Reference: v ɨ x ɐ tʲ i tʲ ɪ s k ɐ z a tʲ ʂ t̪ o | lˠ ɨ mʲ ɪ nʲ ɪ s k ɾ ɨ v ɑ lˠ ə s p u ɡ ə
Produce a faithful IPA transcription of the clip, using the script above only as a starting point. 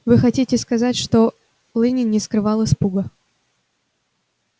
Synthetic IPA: v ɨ x ɐ tʲ i tʲ ɪ s k ɐ z a tʲ ʂ t̪ o | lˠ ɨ nʲ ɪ nʲ ɪ s k ɾ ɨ v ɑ lˠ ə s p u ɡ ə